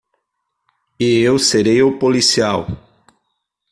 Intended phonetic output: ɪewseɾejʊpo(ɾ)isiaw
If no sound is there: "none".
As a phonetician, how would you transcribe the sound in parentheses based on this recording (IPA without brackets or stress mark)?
l